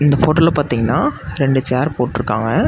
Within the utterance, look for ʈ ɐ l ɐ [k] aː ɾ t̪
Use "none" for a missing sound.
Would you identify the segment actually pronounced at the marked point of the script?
p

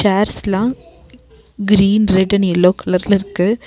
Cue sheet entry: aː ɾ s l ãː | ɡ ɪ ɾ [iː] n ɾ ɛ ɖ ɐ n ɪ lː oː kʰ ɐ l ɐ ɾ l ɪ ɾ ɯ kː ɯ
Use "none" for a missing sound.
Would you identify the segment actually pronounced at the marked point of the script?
iː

